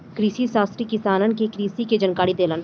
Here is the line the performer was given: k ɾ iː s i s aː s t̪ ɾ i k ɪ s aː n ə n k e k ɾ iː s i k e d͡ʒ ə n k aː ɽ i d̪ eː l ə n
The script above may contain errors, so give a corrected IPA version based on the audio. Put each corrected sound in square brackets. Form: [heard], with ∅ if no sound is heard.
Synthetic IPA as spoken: k ɾ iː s i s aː s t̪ ɾ i k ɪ s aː n ə n k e k ɾ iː s i k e d͡ʒ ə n k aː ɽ i d̪ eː l ə n